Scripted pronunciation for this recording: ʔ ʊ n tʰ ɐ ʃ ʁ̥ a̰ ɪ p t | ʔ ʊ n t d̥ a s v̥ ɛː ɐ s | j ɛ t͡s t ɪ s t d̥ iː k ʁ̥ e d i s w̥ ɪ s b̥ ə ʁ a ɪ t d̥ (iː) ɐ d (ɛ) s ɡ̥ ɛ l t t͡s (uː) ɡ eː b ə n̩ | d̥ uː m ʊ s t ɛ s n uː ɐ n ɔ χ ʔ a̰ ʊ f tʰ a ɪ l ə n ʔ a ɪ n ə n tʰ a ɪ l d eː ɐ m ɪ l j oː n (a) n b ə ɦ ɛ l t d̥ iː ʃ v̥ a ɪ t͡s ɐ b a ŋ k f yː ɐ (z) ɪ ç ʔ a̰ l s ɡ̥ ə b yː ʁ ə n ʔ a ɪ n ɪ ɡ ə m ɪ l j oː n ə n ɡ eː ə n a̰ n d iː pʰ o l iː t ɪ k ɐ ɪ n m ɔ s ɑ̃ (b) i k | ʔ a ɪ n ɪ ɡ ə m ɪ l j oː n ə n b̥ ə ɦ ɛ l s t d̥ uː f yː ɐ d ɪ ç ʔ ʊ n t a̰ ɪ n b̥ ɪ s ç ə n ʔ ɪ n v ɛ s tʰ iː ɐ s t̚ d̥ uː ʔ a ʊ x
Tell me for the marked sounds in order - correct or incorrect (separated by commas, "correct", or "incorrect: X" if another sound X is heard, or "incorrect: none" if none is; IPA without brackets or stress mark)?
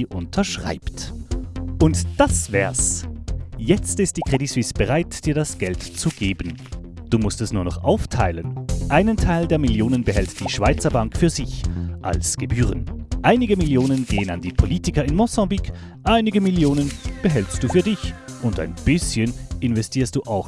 correct, incorrect: a, incorrect: u, incorrect: ə, correct, correct